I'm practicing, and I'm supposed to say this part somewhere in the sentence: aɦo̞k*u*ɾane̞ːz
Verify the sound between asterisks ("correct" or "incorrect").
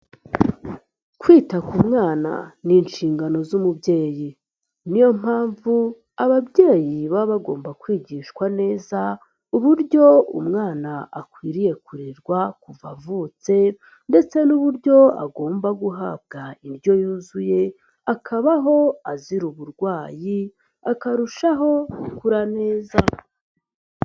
correct